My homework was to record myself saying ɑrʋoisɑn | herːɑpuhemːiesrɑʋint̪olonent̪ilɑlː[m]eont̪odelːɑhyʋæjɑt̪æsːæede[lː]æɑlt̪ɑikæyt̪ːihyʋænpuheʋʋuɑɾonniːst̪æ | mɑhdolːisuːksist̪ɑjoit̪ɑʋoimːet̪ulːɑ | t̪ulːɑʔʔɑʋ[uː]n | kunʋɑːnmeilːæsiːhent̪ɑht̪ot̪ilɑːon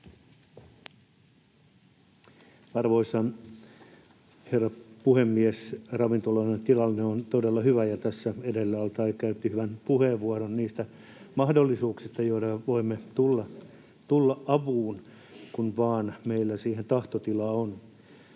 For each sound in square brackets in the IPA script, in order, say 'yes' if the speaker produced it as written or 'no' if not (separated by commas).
no, yes, yes